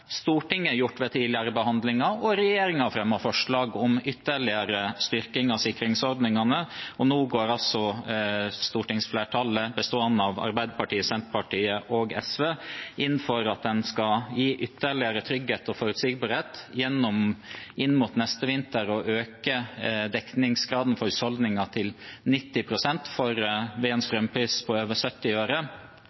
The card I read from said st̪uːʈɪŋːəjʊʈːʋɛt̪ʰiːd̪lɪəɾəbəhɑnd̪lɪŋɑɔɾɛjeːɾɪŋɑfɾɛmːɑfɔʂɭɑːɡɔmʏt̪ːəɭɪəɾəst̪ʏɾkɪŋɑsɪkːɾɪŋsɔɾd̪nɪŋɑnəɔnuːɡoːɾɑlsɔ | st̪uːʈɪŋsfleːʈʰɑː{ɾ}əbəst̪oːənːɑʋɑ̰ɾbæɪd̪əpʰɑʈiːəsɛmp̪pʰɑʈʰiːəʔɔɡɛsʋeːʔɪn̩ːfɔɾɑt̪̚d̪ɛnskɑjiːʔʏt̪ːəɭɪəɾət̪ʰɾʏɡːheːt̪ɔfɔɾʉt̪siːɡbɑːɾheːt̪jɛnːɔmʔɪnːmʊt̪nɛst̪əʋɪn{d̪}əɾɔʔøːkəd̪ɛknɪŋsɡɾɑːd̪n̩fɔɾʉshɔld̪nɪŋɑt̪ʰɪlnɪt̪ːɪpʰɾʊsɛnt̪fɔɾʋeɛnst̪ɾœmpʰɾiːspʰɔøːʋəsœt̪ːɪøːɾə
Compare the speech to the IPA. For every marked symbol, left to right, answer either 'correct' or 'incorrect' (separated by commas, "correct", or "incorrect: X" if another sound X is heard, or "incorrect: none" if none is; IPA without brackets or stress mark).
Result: incorrect: l, incorrect: t̪